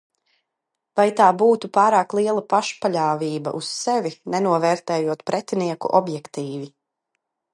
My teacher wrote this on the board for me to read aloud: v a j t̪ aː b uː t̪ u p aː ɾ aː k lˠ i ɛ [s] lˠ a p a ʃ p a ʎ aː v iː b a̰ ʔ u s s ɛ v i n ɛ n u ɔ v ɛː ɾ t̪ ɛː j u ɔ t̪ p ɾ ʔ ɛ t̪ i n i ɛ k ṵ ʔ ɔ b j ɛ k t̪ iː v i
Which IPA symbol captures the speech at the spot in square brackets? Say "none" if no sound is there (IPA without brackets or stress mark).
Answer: none